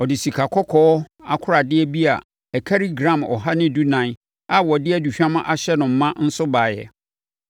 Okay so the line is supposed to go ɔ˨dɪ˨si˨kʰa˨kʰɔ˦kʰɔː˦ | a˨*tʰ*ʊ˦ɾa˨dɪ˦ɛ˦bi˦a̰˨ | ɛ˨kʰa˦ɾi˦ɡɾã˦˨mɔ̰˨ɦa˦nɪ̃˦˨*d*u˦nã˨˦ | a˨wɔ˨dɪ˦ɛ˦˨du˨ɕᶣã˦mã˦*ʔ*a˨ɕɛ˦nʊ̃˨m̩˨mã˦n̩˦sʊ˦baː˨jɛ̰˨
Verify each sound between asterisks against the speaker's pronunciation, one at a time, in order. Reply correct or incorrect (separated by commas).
incorrect, correct, correct